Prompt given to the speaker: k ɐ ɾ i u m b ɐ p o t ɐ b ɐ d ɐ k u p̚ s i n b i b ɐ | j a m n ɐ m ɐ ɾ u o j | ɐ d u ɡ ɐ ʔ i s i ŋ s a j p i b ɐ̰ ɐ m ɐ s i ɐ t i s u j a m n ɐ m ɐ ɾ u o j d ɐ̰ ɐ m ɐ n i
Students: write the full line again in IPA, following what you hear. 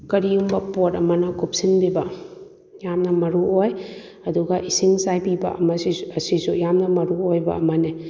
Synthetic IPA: k ɐ ɾ i u m b ɐ p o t ɐ m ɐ n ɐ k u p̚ s i n b i b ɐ | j a m n ɐ m ɐ ɾ u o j | ɐ d u ɡ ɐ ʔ i s i ŋ s a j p i b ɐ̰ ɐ m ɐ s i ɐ s i s u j a m n ɐ m ɐ ɾ u o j b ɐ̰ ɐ m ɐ n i

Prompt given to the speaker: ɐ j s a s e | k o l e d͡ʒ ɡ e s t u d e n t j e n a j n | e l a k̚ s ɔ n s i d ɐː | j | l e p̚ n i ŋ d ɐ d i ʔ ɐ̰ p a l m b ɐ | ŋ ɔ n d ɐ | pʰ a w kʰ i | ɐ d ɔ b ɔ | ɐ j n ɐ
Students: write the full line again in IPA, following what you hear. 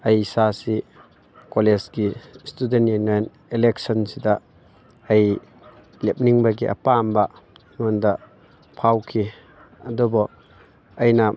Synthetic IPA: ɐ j s a s i | k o l e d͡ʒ ɡ i s t u d e n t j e n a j n | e l e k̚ s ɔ n s i d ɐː | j | l e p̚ n i ŋ b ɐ ɡ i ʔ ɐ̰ p a m b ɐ | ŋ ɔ n d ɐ | pʰ a w kʰ i | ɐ d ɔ b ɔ | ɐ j n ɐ

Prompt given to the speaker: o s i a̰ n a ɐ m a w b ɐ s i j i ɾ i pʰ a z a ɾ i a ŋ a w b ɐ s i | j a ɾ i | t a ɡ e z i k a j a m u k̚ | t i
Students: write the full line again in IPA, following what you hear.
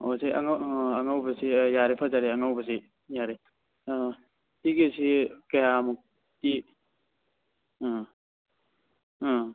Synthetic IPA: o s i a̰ ŋ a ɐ ŋ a w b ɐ s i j a ɾ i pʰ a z a ɾ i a ŋ a w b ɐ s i | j a ɾ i | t i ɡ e s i k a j a m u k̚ | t i

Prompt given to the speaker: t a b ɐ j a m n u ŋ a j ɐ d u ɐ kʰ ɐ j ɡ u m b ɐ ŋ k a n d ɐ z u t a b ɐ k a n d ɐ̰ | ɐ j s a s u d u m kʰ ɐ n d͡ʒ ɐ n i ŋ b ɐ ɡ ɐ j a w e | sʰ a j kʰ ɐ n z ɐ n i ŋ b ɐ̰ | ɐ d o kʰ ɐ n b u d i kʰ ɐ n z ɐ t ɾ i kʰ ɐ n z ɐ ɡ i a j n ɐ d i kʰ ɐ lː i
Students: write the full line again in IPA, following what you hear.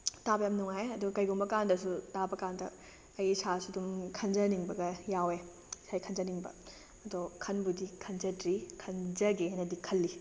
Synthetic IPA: t a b ɐ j a m n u ŋ a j ɐ d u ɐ k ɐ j ɡ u m b ɐ k a n d ɐ s u t a b ɐ k a n d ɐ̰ | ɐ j s a s u d u m kʰ ɐ n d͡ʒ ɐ n i ŋ b ɐ ɡ ɐ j a w e | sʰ a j kʰ ɐ n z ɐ n i ŋ b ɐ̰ | ɐ d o kʰ ɐ n b u d i kʰ ɐ n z ɐ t ɾ i kʰ ɐ n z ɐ ɡ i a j n ɐ d i kʰ ɐ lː i

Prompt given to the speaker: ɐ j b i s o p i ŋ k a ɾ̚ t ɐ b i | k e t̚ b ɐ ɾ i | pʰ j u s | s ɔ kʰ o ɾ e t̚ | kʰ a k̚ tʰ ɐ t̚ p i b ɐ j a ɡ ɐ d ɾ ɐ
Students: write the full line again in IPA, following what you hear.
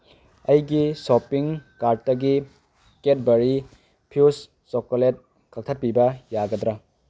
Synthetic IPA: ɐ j ɡ i s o p i ŋ k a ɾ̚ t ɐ ɡ i | k e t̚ b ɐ ɾ i | pʰ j u s | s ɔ k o l e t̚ | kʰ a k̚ tʰ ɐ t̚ p i b ɐ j a ɡ ɐ d ɾ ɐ

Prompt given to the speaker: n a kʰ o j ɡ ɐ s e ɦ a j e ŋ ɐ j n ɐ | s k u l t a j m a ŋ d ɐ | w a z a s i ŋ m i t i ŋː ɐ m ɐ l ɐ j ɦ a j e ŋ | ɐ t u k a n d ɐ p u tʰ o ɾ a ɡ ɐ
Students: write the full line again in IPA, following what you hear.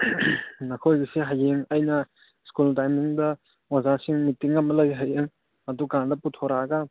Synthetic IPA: n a kʰ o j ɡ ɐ s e ɦ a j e ŋ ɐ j n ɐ | s k u l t a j m i ŋ d ɐ | w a z a s i ŋ m i t i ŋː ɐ m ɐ l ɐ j ɦ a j e ŋ | ɐ d u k a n d ɐ p u tʰ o ɾ a ɡ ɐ

